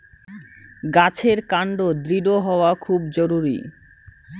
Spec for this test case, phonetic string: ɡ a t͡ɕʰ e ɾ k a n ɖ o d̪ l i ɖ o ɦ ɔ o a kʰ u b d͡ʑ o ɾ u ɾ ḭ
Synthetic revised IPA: ɡ a t͡ɕʰ e ɾ k a ɳ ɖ o d̪ ɾ i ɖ o ɦ ɔ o a kʰ u b d͡ʑ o ɾ u ɾ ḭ